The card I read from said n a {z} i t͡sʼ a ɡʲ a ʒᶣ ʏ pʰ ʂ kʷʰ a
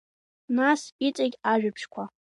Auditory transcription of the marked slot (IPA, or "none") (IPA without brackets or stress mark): s